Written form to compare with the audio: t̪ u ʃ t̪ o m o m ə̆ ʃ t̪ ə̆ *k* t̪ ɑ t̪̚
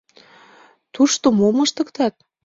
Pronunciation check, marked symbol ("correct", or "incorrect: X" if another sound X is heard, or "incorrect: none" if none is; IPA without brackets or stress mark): correct